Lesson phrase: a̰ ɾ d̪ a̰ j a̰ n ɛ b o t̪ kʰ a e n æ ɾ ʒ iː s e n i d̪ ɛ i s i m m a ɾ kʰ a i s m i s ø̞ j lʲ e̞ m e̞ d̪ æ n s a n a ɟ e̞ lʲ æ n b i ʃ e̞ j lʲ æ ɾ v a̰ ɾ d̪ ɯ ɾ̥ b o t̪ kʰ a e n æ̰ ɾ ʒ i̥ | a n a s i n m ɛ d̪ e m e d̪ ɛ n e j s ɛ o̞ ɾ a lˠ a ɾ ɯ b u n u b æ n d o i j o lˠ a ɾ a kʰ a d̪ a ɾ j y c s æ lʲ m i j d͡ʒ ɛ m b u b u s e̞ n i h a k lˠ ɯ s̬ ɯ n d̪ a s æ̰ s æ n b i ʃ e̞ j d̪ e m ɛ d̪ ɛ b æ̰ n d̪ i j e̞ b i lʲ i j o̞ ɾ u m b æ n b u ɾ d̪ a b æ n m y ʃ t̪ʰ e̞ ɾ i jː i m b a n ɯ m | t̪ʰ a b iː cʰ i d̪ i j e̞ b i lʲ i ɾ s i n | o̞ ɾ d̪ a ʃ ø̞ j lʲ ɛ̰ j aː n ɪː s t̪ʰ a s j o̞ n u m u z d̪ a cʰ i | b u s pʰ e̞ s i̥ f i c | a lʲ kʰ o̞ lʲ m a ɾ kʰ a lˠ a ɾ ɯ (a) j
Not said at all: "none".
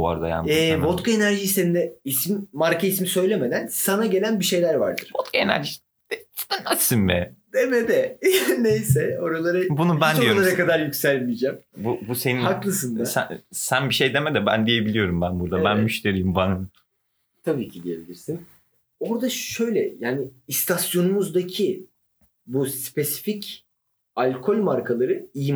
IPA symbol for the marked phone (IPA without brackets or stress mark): i